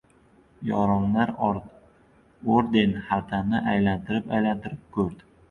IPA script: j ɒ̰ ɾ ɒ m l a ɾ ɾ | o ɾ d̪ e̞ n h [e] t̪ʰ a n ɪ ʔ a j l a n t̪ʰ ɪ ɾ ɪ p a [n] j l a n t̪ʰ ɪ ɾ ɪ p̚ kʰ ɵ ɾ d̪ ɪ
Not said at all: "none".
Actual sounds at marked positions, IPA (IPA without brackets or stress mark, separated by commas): a, none